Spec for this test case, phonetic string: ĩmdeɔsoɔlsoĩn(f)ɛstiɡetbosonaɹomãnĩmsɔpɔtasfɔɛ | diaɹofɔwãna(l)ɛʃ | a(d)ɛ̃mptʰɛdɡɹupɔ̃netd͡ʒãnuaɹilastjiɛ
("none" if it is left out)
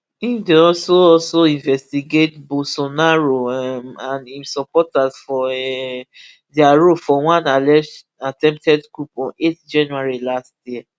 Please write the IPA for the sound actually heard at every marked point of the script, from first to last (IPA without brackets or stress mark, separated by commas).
v, l, t